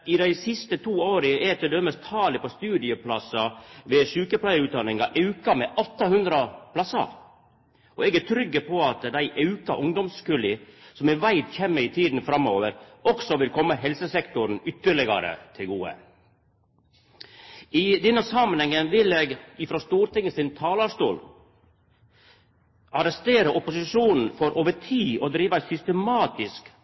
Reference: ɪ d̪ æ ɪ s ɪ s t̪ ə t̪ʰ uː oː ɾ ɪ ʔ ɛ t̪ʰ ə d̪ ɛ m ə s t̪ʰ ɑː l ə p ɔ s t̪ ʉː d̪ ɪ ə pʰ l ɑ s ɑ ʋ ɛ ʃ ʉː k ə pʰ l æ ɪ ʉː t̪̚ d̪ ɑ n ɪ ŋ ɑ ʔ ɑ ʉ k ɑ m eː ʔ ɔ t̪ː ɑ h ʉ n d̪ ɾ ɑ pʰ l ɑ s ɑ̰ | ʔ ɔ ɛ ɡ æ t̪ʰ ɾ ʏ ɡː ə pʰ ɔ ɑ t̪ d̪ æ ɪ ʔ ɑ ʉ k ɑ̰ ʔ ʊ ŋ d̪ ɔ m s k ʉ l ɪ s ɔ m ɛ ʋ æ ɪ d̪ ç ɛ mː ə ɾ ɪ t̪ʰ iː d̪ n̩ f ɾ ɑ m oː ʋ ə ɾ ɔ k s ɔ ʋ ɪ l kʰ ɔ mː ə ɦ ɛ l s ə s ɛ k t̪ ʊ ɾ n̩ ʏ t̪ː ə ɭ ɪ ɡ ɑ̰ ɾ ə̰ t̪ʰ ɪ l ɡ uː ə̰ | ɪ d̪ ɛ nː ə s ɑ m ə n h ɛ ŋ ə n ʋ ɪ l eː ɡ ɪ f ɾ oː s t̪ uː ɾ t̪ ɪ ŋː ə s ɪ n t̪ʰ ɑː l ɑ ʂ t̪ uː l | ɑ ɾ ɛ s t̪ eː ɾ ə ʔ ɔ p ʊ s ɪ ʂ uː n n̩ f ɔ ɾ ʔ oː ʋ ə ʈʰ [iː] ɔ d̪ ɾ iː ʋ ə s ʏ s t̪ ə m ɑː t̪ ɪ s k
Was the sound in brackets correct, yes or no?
yes